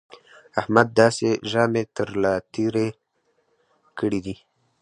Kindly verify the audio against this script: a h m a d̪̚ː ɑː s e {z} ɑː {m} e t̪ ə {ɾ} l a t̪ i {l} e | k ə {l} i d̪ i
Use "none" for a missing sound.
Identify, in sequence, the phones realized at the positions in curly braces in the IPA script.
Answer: ʒ, m, ɾ, ɾ, ɽ

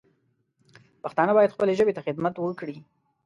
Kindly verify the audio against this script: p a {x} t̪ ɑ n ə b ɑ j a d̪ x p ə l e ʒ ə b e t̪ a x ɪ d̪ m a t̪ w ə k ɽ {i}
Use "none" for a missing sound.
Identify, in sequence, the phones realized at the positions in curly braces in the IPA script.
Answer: x, i

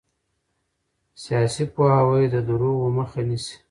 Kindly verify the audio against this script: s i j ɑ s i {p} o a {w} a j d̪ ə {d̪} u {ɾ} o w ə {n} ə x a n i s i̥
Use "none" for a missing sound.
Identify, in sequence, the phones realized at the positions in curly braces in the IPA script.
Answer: p, w, d̪, ɾ, m

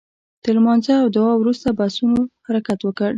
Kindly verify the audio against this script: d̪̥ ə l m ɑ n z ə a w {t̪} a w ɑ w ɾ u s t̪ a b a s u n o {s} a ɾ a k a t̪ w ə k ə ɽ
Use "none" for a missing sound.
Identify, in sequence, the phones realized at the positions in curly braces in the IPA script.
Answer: d̪, h

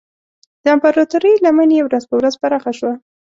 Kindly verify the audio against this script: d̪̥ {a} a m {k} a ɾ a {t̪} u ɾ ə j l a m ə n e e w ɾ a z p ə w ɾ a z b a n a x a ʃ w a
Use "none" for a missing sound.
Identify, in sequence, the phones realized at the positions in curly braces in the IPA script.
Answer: ə, p, t̪

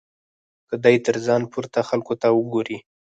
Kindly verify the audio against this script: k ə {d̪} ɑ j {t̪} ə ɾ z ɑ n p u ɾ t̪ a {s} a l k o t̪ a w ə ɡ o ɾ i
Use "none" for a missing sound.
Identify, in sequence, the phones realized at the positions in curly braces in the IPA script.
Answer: d̪, t̪, x

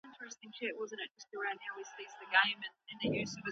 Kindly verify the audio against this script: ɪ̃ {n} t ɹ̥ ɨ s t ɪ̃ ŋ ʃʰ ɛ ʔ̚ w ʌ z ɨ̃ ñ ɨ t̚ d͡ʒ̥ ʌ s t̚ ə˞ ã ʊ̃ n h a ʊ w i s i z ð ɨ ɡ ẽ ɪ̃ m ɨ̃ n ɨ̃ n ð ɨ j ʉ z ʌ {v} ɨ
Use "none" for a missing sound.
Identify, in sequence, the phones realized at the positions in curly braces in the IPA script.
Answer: n, v

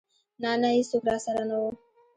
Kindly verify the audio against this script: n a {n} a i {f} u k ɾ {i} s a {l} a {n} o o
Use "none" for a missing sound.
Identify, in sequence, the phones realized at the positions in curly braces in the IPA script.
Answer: n, s, a, ɾ, n

